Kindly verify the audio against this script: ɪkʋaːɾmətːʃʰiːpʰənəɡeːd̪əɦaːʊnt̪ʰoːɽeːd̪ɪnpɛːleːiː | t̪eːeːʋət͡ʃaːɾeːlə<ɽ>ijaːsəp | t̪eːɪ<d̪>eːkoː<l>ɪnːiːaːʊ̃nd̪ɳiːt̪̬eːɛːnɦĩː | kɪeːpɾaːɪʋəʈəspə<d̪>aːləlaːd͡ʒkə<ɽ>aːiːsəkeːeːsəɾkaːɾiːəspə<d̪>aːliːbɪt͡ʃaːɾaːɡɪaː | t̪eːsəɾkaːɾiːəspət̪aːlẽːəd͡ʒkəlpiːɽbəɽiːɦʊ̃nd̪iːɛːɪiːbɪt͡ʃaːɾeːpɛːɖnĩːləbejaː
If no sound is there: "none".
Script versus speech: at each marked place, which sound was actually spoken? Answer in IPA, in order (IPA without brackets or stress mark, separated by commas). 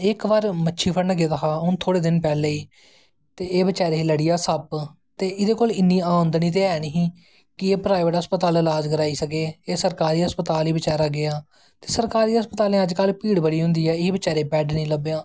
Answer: ɽ, d̪, l, t̪, ɾ, t̪